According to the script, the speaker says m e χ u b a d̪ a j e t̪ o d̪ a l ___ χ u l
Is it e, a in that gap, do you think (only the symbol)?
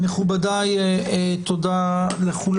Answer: e